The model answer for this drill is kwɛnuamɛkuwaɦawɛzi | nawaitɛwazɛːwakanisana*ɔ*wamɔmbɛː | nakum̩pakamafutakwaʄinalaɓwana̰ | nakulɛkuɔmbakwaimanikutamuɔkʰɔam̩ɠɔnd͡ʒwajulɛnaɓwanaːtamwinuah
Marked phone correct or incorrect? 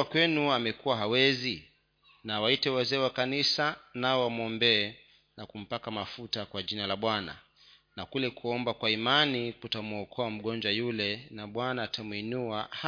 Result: correct